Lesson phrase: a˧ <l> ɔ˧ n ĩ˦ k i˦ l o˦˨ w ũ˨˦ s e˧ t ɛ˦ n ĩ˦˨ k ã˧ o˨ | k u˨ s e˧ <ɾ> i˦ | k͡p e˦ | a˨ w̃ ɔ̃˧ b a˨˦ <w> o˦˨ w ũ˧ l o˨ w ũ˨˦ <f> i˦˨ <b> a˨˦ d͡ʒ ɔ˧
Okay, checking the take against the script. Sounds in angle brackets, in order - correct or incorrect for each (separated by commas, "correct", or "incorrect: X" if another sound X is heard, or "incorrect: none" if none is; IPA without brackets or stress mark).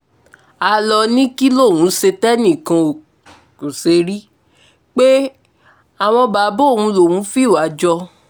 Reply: correct, correct, incorrect: b, correct, incorrect: w